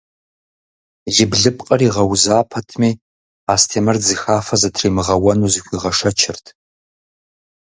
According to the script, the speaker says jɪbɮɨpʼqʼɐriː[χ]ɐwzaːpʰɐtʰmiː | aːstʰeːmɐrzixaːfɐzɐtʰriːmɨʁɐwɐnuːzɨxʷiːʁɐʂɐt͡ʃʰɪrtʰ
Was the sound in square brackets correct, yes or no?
no